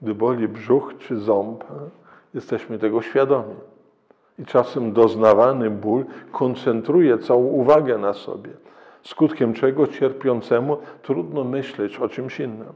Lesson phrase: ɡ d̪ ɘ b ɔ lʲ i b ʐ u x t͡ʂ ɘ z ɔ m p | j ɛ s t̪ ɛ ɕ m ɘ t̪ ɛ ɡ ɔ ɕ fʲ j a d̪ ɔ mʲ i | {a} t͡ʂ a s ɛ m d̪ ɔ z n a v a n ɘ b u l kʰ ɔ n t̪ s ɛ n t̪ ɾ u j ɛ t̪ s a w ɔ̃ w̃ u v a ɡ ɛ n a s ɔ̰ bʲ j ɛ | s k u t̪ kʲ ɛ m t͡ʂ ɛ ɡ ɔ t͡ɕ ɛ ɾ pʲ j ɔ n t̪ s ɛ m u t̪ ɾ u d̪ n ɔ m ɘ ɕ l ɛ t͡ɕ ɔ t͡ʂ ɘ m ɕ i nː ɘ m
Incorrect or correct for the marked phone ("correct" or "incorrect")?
incorrect